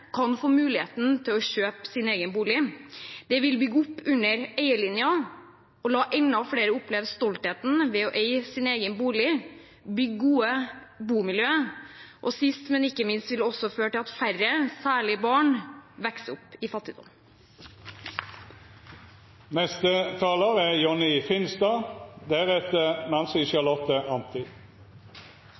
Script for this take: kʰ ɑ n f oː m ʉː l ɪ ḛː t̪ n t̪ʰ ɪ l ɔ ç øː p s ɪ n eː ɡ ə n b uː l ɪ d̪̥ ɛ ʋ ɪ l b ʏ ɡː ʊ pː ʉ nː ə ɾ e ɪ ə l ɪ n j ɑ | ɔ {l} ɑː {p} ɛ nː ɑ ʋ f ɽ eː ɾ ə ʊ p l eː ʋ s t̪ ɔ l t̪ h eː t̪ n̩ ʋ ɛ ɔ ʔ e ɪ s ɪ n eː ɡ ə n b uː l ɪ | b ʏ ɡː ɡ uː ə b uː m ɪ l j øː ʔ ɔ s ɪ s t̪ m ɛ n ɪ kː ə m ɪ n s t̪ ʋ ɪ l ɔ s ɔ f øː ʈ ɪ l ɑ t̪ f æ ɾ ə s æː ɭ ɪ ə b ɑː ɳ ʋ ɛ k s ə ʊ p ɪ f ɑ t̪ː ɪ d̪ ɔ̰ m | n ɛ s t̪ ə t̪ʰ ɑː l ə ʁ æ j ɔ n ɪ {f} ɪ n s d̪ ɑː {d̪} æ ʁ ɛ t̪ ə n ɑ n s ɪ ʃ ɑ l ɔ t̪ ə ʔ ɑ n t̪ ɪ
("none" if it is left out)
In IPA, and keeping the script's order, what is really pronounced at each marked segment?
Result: l, ʔ, f, d̪

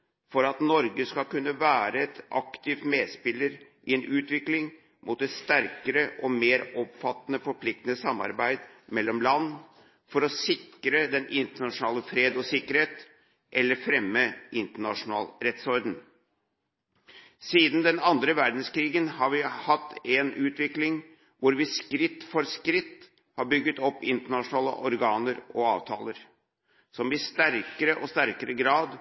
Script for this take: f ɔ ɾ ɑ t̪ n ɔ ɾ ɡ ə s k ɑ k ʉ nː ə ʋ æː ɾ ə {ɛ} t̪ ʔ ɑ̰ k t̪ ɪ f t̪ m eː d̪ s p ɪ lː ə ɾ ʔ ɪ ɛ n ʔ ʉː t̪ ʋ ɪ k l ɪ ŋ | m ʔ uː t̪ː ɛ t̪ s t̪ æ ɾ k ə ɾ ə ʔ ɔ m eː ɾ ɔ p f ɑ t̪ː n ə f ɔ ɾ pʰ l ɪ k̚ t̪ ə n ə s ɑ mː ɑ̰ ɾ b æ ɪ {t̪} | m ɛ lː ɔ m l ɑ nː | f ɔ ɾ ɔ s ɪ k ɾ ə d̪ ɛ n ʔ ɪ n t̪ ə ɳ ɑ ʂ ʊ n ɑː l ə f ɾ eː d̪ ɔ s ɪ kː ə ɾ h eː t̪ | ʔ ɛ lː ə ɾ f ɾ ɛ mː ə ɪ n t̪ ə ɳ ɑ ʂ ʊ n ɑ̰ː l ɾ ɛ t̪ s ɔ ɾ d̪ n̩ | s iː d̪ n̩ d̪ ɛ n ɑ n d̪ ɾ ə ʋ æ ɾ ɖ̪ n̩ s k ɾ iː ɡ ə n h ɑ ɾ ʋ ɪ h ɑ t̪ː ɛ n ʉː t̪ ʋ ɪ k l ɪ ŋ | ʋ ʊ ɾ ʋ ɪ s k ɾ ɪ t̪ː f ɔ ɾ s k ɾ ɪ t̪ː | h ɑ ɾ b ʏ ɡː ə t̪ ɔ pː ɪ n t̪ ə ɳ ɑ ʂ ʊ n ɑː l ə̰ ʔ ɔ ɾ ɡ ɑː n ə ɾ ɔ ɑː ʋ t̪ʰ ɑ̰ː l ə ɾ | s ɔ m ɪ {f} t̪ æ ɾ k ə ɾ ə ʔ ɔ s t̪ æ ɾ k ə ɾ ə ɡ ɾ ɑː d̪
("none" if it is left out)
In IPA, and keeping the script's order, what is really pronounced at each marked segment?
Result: ɛ, d̪, s

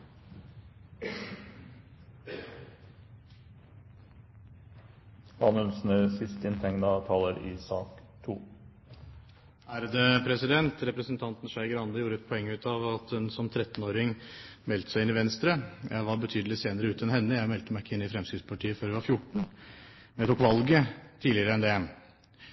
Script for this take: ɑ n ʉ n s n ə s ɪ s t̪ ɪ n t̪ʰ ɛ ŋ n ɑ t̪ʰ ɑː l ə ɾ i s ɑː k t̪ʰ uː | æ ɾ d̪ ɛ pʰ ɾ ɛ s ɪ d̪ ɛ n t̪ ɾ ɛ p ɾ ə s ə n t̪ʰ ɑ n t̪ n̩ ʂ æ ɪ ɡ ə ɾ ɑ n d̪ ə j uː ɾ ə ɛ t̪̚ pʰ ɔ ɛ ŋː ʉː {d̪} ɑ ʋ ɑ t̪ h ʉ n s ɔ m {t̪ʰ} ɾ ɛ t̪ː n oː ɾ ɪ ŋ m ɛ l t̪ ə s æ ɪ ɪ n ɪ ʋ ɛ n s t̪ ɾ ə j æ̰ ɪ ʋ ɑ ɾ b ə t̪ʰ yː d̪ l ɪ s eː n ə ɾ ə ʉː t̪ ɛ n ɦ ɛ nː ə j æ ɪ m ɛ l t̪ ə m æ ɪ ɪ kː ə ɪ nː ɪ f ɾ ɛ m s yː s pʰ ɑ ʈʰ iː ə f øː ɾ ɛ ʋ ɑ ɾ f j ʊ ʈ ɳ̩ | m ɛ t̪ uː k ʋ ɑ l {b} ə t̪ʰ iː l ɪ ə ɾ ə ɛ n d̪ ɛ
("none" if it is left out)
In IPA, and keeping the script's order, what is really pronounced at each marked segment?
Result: t̪, t̪ʰ, ɡ

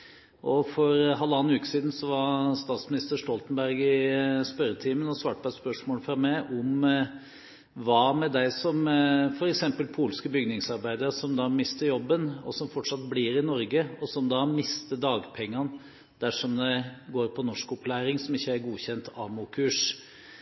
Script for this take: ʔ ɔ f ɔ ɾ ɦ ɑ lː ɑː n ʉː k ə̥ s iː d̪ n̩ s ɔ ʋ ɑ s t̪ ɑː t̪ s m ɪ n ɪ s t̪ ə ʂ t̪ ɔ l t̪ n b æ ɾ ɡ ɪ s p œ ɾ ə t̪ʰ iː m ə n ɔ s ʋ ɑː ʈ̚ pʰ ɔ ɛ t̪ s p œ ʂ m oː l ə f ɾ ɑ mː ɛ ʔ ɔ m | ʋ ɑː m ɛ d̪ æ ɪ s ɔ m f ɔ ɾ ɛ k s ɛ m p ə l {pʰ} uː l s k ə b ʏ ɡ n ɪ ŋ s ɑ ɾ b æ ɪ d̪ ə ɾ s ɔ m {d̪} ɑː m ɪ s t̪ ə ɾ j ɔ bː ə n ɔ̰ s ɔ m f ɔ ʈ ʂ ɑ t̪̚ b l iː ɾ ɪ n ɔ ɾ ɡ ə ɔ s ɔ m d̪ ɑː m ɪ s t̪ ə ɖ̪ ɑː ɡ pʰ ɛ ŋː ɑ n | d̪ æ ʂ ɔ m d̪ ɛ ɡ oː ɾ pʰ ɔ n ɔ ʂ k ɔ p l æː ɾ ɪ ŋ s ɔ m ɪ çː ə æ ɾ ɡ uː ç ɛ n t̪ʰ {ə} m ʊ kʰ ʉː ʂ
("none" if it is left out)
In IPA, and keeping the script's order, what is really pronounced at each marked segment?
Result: pʰ, d̪, ɑ

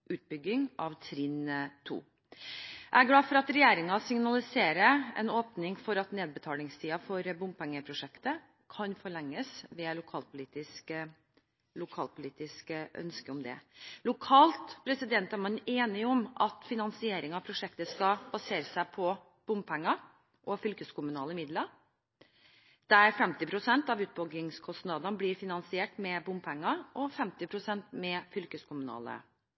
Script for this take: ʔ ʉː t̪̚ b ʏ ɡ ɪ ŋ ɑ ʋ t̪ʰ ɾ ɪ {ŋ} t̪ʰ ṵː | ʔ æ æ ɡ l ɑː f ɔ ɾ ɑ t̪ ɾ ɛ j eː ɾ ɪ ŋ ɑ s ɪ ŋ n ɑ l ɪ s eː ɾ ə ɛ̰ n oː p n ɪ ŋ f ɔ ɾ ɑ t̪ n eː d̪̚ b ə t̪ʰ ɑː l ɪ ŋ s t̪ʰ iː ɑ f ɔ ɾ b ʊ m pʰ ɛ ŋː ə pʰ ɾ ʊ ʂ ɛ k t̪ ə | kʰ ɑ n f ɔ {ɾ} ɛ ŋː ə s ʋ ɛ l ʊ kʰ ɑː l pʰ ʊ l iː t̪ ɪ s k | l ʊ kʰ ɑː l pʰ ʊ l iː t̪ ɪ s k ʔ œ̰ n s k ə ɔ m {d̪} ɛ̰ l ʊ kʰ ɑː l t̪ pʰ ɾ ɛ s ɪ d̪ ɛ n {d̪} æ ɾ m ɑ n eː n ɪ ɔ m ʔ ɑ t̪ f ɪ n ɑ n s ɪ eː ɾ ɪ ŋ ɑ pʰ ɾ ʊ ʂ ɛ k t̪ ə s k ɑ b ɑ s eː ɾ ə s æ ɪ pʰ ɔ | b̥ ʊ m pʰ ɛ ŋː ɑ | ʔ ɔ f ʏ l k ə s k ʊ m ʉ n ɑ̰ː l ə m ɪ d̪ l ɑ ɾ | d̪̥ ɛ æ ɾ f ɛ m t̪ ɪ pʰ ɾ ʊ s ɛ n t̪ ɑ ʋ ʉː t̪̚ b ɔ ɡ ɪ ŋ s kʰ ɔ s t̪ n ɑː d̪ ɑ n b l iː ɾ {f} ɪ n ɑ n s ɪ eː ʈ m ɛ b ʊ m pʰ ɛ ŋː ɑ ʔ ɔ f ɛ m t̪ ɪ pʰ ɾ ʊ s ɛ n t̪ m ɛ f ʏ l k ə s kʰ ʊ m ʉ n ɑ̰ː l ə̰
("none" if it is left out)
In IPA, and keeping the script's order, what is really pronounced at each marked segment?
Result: n, ɭ, d̪, t̪, f

